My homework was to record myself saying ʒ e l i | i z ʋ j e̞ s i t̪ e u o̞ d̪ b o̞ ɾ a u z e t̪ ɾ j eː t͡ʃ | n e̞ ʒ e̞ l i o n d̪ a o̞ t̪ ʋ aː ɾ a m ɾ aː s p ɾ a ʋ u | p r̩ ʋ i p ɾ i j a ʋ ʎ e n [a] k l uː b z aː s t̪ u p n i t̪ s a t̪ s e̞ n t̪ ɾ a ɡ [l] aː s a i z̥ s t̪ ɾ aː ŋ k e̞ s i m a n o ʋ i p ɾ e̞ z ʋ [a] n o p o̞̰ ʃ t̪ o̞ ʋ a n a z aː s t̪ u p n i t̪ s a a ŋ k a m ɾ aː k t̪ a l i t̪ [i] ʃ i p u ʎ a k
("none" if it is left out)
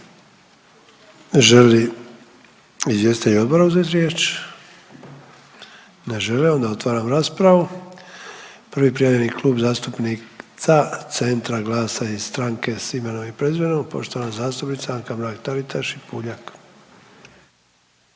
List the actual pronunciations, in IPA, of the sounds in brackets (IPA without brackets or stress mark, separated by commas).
i, l, e, a